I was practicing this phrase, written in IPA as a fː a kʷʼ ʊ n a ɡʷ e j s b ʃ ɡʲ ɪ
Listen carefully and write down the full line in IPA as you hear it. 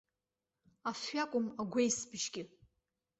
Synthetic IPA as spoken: a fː a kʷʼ ʊ m a ɡʷ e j s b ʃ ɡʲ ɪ